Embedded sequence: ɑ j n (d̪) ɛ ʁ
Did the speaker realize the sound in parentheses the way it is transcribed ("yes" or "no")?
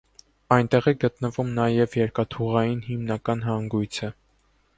no